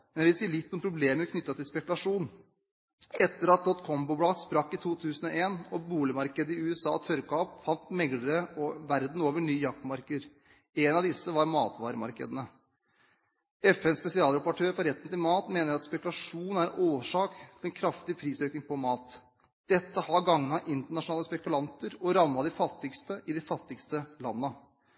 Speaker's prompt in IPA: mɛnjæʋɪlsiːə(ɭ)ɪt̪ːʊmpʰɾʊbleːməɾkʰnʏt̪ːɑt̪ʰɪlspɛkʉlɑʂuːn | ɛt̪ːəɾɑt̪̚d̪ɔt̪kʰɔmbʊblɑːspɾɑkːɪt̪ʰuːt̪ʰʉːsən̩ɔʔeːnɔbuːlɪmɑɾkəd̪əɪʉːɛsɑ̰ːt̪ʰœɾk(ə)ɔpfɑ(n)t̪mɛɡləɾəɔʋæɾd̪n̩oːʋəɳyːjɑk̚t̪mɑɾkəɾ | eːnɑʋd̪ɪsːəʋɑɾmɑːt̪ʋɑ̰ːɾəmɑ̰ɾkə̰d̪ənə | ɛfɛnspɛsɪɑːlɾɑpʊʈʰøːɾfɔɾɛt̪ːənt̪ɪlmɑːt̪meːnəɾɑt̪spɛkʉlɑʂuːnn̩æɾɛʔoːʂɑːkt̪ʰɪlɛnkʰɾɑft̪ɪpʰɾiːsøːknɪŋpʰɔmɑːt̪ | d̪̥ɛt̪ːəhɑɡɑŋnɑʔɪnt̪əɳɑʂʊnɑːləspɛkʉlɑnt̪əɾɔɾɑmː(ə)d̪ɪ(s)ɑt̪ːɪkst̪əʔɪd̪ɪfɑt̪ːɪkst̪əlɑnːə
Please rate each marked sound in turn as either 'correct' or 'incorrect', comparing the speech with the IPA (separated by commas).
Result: incorrect, incorrect, correct, incorrect, incorrect